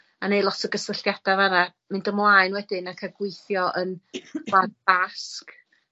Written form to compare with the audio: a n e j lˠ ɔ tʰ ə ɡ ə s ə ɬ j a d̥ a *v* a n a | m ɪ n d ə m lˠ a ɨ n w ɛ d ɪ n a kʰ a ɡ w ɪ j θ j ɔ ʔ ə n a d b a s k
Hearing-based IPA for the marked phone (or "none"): v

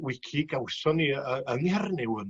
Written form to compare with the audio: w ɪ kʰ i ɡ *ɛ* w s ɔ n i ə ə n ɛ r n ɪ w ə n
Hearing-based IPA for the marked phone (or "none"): a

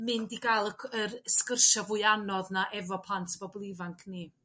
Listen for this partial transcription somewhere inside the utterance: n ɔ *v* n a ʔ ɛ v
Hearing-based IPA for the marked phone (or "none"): ð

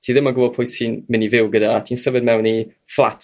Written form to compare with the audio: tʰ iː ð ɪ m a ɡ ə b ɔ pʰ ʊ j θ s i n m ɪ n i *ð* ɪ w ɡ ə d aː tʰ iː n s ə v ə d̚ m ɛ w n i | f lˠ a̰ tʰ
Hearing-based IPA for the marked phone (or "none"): v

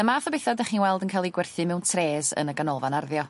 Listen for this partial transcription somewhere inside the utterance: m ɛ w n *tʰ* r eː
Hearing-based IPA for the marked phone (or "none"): tʰ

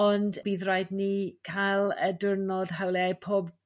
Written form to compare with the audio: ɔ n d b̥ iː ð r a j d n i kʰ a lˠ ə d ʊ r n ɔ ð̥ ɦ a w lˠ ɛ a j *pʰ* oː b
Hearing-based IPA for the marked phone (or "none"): pʰ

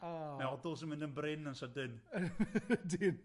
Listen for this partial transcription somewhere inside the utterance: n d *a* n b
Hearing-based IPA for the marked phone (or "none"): ə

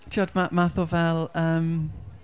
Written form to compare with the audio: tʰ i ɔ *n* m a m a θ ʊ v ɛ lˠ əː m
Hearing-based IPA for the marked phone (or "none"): d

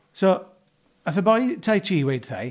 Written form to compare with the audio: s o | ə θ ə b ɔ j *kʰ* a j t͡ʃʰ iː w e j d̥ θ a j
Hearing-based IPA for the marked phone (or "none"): tʰ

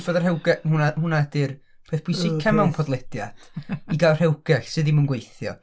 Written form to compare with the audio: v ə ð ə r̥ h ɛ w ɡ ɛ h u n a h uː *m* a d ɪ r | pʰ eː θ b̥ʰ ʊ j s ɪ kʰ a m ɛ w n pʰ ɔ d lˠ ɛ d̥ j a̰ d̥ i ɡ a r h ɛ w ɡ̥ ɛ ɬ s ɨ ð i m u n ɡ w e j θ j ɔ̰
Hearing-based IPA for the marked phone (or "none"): n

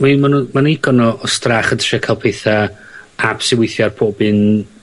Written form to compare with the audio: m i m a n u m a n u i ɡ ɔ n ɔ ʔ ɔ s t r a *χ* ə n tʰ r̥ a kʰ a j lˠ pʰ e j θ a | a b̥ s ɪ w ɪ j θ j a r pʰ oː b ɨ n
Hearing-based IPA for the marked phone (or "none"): χ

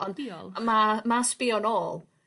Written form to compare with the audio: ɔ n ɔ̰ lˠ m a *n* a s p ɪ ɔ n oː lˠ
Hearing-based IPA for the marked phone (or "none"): m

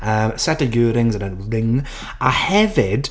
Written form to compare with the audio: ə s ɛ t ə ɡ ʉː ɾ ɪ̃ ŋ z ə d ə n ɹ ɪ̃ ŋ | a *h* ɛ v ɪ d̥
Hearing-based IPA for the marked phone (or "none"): h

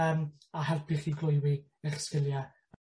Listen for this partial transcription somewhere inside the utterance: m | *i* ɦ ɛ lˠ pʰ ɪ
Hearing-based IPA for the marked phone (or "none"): a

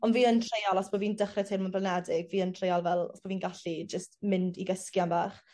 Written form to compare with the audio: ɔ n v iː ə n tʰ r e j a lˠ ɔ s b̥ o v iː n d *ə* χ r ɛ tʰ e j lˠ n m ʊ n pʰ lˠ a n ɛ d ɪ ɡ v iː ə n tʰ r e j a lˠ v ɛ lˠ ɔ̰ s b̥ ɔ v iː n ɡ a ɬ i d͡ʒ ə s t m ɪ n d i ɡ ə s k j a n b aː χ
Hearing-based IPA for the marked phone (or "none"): ə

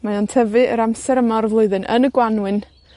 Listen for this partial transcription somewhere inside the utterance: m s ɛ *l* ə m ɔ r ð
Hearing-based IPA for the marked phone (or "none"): ɾ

